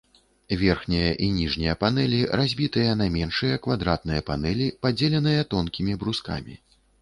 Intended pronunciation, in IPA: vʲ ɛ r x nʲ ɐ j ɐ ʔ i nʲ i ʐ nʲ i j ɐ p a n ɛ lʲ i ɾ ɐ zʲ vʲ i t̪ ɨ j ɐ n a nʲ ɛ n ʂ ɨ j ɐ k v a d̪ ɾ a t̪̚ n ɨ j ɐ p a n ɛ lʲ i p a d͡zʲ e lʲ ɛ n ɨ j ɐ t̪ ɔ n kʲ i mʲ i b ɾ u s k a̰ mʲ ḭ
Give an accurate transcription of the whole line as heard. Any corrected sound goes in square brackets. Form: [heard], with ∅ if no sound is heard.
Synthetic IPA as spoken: vʲ ɛ r x nʲ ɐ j ɐ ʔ i nʲ i ʐ nʲ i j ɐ p a n ɛ lʲ i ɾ [a] zʲ [bʲ] i t̪ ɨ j ɐ n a [mʲ] ɛ n ʂ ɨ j ɐ k v a d̪ ɾ a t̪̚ n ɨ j ɐ p a n ɛ lʲ i p a d͡zʲ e lʲ ɛ n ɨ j ɐ t̪ ɔ n kʲ i mʲ i b ɾ u s k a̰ mʲ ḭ